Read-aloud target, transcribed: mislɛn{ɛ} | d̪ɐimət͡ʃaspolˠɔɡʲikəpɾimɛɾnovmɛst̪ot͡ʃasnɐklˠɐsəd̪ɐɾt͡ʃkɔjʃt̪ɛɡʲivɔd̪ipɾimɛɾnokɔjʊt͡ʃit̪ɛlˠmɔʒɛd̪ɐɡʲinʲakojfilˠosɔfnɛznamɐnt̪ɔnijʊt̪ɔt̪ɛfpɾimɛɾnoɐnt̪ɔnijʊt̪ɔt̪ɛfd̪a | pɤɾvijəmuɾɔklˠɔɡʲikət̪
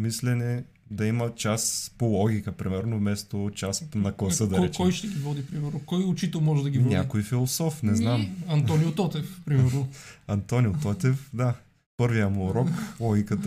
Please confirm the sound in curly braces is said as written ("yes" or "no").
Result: yes